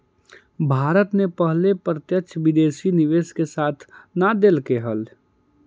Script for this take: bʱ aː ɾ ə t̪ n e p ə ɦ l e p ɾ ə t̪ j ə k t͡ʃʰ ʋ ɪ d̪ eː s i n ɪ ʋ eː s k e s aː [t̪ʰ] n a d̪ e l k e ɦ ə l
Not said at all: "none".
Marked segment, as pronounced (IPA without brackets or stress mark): t̪ʰ